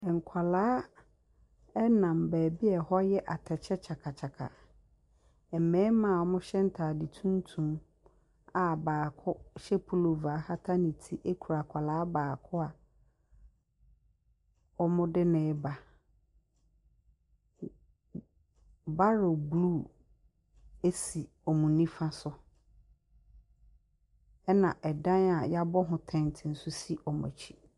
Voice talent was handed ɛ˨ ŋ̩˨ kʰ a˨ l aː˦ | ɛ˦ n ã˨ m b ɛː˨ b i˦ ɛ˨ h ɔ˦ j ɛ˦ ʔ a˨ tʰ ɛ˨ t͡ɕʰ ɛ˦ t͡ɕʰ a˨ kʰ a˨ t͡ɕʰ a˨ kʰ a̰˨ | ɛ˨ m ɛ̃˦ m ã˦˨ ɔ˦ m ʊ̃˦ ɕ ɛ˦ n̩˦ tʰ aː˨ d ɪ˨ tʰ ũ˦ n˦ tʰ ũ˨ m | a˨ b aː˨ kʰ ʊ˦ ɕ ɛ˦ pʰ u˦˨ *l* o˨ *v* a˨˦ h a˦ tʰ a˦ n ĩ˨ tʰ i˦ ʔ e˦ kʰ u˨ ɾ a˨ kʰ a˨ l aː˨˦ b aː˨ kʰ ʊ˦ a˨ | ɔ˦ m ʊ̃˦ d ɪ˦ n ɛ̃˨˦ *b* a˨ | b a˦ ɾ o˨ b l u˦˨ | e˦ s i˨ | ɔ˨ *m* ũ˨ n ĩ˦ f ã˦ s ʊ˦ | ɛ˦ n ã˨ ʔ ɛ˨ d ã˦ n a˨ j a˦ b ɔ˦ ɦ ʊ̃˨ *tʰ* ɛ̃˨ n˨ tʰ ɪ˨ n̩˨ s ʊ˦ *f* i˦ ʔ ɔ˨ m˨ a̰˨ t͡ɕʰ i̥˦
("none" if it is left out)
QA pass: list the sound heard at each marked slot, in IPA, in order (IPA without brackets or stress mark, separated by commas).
l, v, b, m, tʰ, s